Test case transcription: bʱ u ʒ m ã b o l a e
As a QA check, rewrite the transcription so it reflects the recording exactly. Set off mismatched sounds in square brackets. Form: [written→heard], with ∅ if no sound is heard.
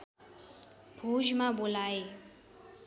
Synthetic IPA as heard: bʱ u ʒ m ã b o l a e